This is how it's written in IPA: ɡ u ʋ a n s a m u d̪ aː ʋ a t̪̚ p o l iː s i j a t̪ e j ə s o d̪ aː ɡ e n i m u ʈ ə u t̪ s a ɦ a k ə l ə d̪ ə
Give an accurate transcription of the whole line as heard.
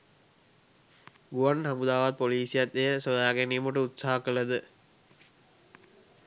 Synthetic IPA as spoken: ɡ u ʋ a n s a m u d̪ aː ʋ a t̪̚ p o l iː s i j a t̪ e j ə s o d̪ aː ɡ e n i m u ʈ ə u t̪ s a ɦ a k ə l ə d̪ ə